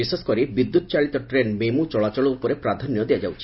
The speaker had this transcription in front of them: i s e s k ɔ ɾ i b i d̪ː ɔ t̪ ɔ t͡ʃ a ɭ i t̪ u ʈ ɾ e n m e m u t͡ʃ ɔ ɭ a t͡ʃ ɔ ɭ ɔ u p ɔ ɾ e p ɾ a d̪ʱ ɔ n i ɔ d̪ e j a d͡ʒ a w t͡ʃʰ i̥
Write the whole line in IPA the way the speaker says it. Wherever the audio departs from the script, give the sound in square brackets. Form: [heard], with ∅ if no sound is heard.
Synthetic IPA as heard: i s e s k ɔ ɾ i b i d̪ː [u] t̪ ɔ t͡ʃ a ɭ i t̪ [ɔ] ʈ ɾ e n m e m u t͡ʃ ɔ ɭ a t͡ʃ ɔ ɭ ɔ u p ɔ ɾ e p ɾ a d̪ʱ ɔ n [j] ɔ d̪ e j a d͡ʒ a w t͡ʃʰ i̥